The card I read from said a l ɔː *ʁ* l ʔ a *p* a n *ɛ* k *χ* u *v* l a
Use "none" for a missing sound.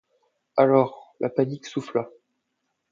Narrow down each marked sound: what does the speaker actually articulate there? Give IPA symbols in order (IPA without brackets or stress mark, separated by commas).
ʁ, p, i, s, f